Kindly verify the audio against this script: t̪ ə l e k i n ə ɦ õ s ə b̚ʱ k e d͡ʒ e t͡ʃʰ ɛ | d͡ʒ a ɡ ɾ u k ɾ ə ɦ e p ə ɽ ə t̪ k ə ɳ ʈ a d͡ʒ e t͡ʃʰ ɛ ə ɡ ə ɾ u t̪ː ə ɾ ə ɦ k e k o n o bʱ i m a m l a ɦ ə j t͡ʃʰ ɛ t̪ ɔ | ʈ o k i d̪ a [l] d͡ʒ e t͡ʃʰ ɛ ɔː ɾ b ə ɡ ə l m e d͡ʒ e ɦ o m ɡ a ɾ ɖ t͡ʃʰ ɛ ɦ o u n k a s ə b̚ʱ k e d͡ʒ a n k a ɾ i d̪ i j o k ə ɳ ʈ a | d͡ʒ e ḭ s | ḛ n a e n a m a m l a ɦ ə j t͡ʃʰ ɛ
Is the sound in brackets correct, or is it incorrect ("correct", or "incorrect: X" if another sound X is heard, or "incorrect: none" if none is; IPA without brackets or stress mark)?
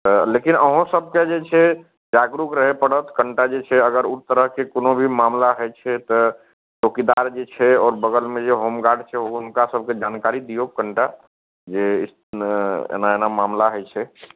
incorrect: ɾ